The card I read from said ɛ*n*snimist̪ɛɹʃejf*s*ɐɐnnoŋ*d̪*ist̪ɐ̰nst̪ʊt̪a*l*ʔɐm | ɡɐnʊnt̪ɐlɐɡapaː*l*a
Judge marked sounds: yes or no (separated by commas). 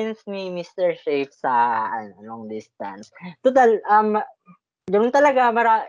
yes, yes, yes, yes, no